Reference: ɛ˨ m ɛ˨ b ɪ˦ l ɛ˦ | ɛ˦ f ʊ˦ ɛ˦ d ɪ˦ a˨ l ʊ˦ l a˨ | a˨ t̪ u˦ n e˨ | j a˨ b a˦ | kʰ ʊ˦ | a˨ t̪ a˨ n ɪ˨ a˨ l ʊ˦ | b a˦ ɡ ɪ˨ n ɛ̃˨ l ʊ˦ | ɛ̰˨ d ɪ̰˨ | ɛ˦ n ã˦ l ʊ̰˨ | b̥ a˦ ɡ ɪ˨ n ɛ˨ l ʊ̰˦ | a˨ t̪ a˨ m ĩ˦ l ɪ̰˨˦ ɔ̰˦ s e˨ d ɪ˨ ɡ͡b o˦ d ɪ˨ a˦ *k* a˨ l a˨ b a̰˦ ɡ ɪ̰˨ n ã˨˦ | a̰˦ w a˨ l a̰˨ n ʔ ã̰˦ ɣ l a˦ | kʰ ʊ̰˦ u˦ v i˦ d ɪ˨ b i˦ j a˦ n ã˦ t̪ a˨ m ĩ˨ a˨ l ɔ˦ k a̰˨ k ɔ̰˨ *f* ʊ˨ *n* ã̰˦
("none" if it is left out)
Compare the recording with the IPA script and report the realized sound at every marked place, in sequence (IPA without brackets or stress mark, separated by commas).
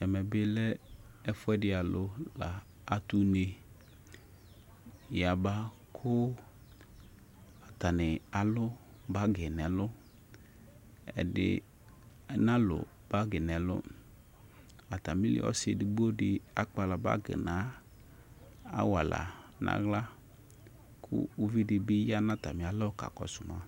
k͡p, s, m